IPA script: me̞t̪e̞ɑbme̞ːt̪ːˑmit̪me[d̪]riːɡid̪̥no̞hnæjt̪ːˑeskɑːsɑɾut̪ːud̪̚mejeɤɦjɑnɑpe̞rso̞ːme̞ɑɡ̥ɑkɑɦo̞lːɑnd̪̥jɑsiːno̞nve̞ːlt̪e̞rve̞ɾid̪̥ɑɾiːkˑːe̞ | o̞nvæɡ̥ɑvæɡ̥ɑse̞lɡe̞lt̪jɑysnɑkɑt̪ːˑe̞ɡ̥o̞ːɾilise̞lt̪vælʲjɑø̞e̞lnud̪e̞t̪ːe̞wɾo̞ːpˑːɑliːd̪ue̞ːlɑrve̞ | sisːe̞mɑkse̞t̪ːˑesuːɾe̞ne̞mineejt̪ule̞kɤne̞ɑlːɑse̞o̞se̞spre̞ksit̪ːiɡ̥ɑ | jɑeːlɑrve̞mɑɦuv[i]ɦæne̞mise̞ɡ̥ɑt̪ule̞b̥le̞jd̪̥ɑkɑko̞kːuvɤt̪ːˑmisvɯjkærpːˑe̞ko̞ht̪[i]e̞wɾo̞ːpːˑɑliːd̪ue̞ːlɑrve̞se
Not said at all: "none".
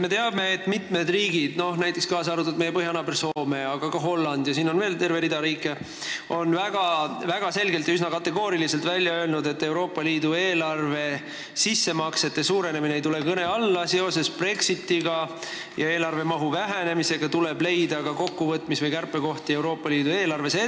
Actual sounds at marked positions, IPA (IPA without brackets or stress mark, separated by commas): d̪, æ, i